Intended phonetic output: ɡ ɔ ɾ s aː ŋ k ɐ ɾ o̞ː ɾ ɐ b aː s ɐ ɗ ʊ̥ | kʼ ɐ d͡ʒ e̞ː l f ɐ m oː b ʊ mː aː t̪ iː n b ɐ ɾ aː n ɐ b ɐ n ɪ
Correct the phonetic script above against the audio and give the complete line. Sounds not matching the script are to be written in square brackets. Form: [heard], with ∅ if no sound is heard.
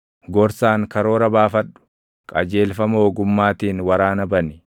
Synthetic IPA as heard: ɡ ɔ ɾ s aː ŋ k ɐ ɾ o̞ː ɾ ɐ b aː [f] ɐ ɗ ʊ̥ | kʼ ɐ d͡ʒ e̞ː l f ɐ m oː [ɡ] ʊ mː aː t̪ iː n [w] ɐ ɾ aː n ɐ b ɐ n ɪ